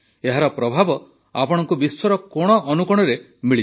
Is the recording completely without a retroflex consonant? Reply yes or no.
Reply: no